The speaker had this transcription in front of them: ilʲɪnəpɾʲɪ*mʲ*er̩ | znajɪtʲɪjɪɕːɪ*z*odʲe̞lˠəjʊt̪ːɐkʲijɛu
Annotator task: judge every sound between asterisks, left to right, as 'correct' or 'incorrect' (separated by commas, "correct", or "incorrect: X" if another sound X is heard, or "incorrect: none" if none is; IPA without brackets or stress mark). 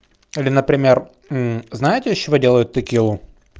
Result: correct, incorrect: v